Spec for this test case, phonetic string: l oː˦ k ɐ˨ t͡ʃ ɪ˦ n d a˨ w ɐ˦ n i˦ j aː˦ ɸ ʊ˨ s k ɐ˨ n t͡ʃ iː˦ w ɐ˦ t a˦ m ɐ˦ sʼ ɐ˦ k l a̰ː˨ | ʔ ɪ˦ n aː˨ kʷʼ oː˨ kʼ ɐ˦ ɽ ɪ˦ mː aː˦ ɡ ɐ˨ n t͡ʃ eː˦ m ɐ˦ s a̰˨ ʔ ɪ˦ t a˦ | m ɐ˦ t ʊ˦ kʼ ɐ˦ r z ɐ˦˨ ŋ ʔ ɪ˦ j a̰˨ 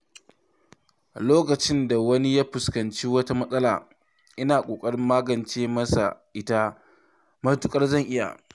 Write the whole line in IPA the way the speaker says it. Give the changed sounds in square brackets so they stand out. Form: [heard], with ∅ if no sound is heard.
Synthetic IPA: l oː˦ k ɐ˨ t͡ʃ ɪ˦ n d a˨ w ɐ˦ n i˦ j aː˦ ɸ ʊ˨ s k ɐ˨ n t͡ʃ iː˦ w ɐ˦ t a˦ m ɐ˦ sʼ ɐ˦ [∅] l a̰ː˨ | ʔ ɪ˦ n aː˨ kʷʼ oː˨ kʼ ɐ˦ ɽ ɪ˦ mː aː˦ ɡ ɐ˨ n t͡ʃ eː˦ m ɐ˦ s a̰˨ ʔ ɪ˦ t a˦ | m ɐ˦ t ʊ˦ kʼ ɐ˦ r z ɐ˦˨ ŋ ʔ ɪ˦ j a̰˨

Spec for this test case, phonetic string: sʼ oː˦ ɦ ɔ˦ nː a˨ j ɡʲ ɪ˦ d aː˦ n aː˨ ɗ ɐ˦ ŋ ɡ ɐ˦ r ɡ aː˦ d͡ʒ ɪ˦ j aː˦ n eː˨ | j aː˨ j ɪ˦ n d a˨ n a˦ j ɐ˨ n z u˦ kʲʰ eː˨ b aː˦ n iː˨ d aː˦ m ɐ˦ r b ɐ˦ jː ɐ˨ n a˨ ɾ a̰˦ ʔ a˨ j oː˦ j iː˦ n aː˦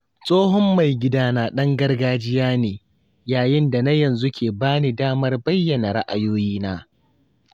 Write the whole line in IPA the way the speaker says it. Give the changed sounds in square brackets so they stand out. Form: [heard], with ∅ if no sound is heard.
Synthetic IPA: sʼ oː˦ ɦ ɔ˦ [mː] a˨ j ɡʲ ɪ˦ d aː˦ n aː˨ ɗ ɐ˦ ŋ ɡ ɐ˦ r ɡ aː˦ d͡ʒ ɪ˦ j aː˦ n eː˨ | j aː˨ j ɪ˦ n d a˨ n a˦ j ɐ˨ n z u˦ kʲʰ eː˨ b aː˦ n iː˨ d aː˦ m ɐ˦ r b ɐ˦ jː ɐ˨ n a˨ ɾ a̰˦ ʔ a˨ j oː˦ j iː˦ n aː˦

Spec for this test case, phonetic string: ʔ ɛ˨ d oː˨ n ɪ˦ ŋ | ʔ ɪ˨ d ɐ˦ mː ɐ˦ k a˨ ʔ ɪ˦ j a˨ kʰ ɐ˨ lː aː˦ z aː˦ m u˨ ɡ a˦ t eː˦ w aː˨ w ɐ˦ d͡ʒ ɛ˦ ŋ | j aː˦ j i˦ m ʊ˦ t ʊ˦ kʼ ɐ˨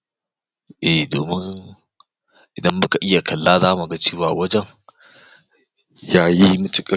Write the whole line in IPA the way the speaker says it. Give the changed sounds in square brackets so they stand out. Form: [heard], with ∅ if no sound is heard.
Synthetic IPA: ʔ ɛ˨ d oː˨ [m] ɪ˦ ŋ | ʔ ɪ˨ d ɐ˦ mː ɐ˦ k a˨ ʔ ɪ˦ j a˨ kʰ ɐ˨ lː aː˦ z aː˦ m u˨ ɡ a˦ [t͡ʃ] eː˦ w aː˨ w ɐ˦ d͡ʒ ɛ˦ ŋ | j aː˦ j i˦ m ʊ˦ t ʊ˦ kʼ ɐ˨

